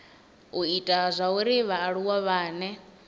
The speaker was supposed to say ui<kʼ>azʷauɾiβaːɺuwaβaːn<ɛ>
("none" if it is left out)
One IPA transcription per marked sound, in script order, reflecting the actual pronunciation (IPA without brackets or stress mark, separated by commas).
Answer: tʼ, ɛ